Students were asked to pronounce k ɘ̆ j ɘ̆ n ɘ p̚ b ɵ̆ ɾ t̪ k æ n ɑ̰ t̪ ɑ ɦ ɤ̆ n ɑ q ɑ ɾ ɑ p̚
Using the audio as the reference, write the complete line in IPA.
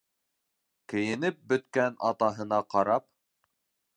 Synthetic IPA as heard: k ɘ̆ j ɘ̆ n ɘ p̚ b ɵ̆ t̪ k æ n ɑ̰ t̪ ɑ ɦ ɤ̆ n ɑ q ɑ ɾ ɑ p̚